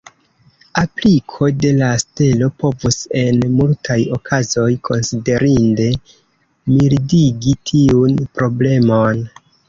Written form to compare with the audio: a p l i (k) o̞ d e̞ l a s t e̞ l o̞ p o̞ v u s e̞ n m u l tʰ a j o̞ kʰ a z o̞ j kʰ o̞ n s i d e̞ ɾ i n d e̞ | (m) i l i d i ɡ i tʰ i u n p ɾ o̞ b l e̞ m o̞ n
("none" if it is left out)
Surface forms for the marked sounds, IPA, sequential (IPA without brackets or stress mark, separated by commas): kʰ, m